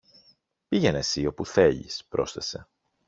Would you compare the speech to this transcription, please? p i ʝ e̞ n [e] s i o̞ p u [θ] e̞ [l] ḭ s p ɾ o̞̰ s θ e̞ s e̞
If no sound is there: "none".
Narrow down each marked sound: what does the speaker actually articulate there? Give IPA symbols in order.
e, θ, ʎ

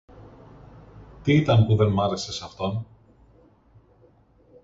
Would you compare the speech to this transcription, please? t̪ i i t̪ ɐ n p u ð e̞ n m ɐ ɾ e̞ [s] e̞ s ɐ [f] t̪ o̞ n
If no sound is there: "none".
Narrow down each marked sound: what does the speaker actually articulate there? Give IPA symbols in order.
s, f

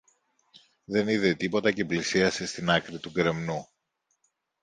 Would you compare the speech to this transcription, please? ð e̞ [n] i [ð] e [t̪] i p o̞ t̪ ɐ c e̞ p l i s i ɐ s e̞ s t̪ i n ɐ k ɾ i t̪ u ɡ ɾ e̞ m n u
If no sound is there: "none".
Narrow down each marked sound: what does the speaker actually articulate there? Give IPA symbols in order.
n, ð, t̪

